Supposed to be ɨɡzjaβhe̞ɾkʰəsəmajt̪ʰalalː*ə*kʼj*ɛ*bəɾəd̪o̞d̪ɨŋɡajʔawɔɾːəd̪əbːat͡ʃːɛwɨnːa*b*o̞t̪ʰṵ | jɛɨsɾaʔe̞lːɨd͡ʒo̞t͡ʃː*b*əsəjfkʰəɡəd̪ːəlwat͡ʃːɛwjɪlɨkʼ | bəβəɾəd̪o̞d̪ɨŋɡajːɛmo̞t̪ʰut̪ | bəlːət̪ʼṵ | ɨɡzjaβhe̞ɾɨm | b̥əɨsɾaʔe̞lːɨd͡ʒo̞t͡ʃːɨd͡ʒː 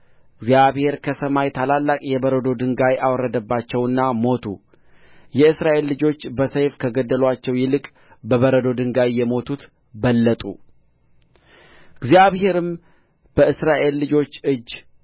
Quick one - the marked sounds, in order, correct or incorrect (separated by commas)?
incorrect, correct, incorrect, correct